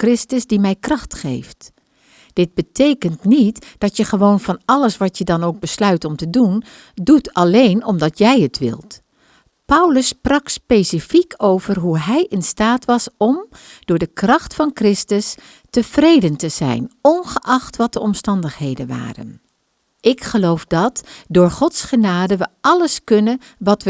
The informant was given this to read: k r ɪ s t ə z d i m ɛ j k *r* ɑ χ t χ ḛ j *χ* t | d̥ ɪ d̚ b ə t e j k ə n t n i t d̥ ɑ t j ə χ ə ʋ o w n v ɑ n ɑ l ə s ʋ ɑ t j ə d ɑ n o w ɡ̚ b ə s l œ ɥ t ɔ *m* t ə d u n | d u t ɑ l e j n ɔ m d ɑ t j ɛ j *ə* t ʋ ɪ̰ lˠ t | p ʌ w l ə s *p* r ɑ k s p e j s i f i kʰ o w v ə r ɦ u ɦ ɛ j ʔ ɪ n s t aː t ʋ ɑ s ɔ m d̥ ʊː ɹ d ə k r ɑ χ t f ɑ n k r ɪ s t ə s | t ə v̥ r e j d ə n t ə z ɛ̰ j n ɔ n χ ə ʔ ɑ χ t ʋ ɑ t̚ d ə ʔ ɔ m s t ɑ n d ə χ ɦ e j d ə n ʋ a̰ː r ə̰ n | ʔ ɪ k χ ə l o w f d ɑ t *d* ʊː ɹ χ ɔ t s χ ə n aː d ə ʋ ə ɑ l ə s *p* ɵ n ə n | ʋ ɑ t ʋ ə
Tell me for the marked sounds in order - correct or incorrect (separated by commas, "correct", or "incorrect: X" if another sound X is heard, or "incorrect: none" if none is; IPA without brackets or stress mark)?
correct, incorrect: f, correct, correct, correct, correct, incorrect: k